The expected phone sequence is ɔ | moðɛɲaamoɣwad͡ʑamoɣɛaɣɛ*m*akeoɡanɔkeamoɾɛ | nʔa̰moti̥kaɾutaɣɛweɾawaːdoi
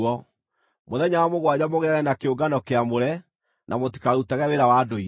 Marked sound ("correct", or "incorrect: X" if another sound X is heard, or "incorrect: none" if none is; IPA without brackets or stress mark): incorrect: n